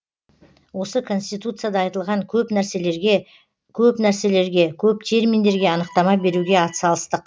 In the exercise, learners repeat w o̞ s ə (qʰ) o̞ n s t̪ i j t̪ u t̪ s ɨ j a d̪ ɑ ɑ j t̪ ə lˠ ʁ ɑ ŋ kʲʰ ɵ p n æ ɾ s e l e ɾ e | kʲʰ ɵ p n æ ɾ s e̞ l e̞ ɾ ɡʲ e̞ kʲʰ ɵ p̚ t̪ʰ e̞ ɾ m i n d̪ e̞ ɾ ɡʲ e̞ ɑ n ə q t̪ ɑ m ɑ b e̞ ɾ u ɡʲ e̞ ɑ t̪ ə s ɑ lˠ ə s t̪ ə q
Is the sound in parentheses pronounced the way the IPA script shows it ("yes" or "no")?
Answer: no